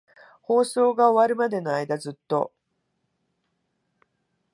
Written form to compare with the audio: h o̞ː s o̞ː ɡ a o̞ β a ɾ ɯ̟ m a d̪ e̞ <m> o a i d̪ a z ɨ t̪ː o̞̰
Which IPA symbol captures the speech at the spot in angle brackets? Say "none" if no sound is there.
n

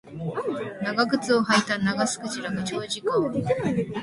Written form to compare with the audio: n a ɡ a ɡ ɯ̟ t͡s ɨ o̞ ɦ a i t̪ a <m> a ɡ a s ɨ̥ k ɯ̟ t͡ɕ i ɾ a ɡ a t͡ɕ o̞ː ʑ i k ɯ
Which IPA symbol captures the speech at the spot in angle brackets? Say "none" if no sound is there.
n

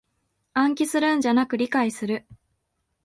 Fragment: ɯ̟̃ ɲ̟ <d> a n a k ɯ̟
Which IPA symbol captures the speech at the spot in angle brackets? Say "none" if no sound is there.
d͡ʑ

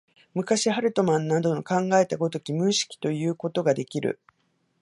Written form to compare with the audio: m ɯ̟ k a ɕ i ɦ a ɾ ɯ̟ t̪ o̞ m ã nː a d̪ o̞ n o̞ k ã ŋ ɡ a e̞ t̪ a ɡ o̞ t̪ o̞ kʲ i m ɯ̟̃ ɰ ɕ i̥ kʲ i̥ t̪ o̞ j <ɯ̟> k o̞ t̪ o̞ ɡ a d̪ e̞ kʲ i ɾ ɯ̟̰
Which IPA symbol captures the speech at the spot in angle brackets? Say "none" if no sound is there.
ɯ̟ː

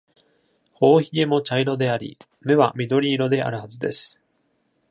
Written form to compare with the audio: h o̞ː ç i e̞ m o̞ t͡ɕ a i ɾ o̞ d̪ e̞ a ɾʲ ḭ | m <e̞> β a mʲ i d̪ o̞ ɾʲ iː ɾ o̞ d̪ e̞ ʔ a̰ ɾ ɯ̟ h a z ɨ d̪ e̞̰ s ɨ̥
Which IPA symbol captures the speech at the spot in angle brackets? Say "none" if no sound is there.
e̞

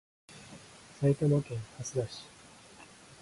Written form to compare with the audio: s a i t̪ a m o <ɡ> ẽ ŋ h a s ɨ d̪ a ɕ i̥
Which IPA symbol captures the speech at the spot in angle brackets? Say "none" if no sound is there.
k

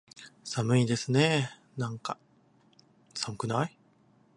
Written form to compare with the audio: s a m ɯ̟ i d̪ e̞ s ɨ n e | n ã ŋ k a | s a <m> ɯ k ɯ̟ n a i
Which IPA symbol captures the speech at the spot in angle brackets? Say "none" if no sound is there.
m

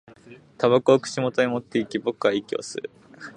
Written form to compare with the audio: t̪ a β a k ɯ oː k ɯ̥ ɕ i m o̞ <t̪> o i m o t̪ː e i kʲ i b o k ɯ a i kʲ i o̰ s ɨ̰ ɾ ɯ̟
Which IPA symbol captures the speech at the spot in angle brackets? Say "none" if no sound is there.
t̪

